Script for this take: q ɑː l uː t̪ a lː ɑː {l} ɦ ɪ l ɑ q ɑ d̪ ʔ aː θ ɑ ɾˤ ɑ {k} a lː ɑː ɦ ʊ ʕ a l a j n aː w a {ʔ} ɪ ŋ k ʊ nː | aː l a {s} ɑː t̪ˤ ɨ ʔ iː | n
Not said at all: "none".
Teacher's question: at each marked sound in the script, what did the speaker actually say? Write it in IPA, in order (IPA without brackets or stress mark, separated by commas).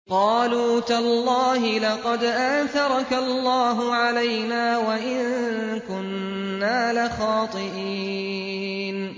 none, k, ʔ, x